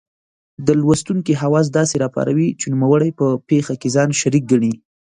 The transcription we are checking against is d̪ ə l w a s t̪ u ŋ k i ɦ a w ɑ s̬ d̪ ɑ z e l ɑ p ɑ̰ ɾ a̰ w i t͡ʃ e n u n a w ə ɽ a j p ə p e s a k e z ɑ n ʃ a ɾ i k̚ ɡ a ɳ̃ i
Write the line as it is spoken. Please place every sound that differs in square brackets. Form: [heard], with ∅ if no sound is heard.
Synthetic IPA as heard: d̪ ə l w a s t̪ u ŋ k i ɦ a w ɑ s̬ d̪ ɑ [s] e [ɾ] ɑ p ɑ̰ ɾ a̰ w i t͡ʃ e n u [m] a w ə ɽ a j p ə p e [x] a k e z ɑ n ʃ a ɾ i k̚ ɡ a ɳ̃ i